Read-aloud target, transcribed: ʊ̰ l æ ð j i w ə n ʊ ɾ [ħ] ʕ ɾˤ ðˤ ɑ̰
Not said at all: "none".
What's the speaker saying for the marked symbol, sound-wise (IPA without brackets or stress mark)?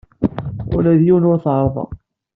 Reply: θ